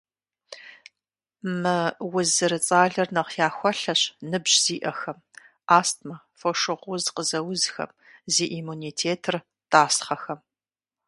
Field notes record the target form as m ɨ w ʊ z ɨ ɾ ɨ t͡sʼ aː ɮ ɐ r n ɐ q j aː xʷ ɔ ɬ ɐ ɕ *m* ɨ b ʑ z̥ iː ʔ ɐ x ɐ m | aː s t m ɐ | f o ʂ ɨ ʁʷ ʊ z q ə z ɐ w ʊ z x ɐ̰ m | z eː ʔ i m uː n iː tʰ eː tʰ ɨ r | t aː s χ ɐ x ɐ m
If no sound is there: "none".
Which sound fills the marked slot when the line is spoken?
n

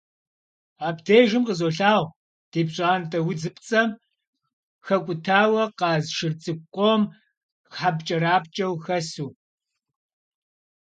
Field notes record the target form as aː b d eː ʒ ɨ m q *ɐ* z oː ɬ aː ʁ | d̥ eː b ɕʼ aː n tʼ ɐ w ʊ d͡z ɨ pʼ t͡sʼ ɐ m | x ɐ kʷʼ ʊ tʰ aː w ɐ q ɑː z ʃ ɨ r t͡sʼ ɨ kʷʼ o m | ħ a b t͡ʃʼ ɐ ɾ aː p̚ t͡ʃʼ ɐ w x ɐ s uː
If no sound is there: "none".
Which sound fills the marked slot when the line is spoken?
ə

